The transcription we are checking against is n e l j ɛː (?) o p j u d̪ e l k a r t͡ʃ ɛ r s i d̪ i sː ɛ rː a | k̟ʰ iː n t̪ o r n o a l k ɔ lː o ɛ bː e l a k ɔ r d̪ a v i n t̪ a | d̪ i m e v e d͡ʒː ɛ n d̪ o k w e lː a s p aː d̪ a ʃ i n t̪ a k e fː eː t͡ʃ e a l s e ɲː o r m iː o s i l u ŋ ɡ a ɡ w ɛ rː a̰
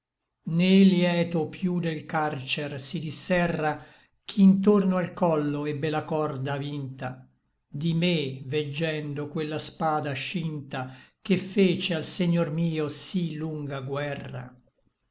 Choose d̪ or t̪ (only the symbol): t̪